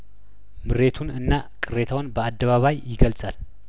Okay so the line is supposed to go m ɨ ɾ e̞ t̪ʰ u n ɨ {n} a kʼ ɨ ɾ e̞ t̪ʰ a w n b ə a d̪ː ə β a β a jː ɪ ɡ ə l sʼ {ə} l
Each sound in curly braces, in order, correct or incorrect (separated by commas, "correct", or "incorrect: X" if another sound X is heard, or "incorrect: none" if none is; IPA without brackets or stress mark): incorrect: nː, incorrect: a